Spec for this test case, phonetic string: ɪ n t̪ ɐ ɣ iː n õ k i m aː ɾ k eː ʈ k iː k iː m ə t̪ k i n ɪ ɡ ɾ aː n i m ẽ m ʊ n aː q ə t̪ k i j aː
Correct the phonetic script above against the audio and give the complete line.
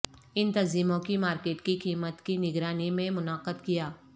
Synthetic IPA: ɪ n t̪ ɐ z iː m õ k i m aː ɾ k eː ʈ k i k iː m ə t̪ k i n ɪ ɡ ɾ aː n i m ẽ m ʊ n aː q ə d̪ k i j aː

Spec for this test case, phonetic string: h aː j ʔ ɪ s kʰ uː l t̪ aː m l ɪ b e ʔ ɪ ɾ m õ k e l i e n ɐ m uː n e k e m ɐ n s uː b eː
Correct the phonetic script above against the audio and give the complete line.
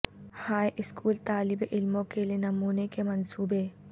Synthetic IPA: h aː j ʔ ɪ s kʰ uː l t̪ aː l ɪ b e ʔ ɪ l m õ k e l i e n ɐ m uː n e k e m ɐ n s uː b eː

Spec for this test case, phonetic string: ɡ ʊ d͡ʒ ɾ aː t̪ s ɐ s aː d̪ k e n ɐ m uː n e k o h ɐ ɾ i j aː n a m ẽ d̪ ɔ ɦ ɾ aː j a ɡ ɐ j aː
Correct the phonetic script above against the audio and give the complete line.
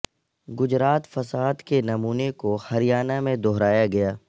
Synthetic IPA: ɡ ʊ d͡ʒ ɾ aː t̪ f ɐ s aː d̪ k e n ɐ m uː n e k o h ɐ ɾ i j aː n a m ẽ d̪ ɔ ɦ ɾ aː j a ɡ ɐ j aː

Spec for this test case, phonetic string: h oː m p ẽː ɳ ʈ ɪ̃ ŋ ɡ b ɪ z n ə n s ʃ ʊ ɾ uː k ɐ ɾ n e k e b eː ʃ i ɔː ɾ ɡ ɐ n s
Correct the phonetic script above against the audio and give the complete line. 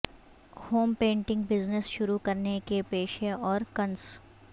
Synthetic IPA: h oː m p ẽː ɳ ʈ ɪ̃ ŋ ɡ b ɪ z n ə s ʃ ʊ ɾ u k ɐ ɾ n e k e p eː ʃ e ɔː ɾ k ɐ n s

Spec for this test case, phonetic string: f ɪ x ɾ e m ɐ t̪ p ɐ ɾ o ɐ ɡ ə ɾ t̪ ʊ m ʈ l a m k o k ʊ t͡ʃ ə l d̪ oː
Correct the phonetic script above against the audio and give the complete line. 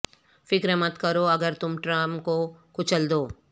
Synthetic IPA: f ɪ k ɾ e m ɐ t̪ k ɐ ɾ o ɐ ɡ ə ɾ t̪ ʊ m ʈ ɾ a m k o k ʊ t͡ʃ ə l d̪ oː

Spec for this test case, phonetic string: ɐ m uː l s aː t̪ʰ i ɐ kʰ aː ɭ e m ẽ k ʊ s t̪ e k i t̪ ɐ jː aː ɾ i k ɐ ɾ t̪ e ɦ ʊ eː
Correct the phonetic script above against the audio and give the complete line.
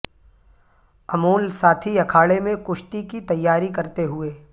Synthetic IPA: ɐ m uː l s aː t̪ʰ i ɐ kʰ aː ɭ e m ẽ k ʊ ʃ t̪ i k i t̪ ɐ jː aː ɾ i k ɐ ɾ t̪ e ɦ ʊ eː

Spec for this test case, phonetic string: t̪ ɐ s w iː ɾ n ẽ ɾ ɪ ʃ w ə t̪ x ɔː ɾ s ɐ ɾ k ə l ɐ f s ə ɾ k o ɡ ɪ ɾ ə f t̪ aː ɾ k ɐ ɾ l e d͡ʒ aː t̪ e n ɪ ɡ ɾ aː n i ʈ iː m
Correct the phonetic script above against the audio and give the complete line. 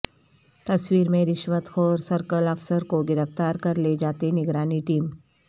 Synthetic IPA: t̪ ɐ s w iː ɾ m ẽ ɾ ɪ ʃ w ə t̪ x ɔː ɾ s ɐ ɾ k ə l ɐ f s ə ɾ k o ɡ ɪ ɾ ə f t̪ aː ɾ k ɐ ɾ l e d͡ʒ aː t̪ e n ɪ ɡ ɾ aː n i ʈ iː m

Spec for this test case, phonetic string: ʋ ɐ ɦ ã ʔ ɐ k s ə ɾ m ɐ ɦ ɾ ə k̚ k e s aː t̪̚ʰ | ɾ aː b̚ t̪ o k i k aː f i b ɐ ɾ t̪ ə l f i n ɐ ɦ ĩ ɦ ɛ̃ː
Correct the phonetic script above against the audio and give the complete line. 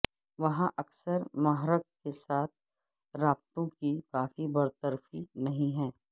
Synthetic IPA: ʋ ɐ ɦ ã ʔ ɐ k s ə ɾ m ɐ ɦ ɾ ə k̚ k e s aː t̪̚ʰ | ɾ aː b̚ t̪ õ k i k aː f i b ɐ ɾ t̪ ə ɾ f i n ɐ ɦ ĩ ɦ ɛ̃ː

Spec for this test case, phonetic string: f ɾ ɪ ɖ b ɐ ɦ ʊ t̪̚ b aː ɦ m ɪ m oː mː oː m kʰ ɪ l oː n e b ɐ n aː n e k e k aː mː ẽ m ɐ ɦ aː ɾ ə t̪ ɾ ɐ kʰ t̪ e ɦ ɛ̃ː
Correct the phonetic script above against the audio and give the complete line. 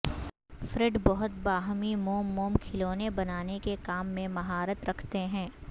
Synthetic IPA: f ɾ ɪ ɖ b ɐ ɦ ʊ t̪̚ b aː ɦ m i m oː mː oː m kʰ ɪ l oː n e b ɐ n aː n e k e k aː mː ẽ m ɐ ɦ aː ɾ ə t̪ ɾ ɐ kʰ t̪ e ɦ ɛ̃ː

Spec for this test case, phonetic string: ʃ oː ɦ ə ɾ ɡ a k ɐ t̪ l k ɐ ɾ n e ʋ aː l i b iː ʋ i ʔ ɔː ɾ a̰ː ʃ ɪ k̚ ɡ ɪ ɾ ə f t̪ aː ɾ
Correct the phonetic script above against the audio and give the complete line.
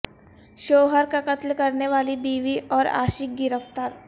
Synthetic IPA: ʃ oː ɦ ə ɾ k a k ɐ t̪ l k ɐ ɾ n e ʋ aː l i b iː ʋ i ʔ ɔː ɾ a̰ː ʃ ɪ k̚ ɡ ɪ ɾ ə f t̪ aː ɾ

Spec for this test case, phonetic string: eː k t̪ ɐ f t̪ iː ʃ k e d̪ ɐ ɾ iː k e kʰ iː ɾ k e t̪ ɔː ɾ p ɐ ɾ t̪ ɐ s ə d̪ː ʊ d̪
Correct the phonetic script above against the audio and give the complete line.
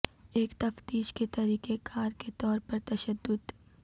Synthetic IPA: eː k t̪ ɐ f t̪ iː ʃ k e t̪ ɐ ɾ iː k e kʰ aː ɾ k e t̪ ɔː ɾ p ɐ ɾ t̪ ɐ ʃ ə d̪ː ʊ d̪

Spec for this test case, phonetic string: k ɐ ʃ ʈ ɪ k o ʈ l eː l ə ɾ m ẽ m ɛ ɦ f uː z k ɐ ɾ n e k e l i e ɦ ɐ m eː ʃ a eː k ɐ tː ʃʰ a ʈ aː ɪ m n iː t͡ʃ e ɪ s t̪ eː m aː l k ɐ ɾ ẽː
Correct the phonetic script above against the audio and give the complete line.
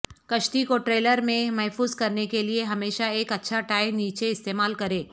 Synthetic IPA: k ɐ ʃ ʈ i k o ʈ ɾ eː l ə ɾ m ẽ m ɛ ɦ f uː z k ɐ ɾ n e k e l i e ɦ ɐ m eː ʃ a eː k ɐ tː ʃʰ a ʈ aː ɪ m n iː t͡ʃ e ɪ s t̪ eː m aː l k ɐ ɾ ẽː

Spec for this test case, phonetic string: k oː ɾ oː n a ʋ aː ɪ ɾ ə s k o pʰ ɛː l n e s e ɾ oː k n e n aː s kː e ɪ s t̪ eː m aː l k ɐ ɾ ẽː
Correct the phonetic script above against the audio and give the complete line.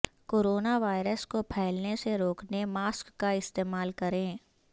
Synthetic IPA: k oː ɾ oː n a ʋ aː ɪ ɾ ə s k o pʰ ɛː l n e s e ɾ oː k n e m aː s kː a ɪ s t̪ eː m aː l k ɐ ɾ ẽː

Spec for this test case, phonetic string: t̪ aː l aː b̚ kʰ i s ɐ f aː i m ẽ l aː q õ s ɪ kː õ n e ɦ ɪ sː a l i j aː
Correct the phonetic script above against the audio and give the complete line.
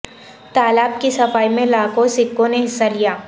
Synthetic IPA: t̪ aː l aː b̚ k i s ɐ f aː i m ẽ l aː k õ s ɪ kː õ n e ɦ ɪ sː a l i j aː

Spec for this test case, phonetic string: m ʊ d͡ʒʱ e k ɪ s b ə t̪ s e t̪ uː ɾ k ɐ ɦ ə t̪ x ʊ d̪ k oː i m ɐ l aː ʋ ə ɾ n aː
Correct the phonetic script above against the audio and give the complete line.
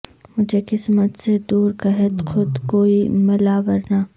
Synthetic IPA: m ʊ d͡ʒʱ e k ɪ s m ə t̪ s e d̪ uː ɾ k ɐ ɦ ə t̪ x ʊ d̪ k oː i m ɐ l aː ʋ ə ɾ n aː

